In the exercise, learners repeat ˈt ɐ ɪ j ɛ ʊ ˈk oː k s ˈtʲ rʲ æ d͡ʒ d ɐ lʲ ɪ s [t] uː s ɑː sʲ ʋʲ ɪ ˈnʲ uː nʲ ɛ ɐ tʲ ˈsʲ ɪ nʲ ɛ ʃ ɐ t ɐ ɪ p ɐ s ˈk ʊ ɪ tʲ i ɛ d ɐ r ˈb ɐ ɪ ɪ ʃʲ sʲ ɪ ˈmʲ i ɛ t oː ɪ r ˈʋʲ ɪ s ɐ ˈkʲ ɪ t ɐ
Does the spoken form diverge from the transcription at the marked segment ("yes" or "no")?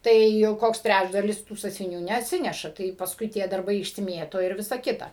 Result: no